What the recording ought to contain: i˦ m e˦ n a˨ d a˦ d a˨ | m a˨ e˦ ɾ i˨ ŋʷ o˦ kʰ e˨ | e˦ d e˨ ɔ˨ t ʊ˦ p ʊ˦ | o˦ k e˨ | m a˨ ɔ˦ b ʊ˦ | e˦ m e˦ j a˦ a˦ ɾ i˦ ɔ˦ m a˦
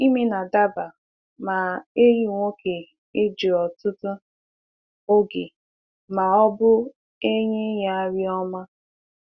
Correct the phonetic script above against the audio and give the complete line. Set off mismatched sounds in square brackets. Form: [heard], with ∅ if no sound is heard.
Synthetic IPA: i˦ m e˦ n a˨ d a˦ [b] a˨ | m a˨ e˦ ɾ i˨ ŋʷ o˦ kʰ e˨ | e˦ [d͡ʒ] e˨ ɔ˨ t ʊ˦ [t] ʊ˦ | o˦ [ɡ] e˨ | m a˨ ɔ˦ b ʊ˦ | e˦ [ɲ] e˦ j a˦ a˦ ɾ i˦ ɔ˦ m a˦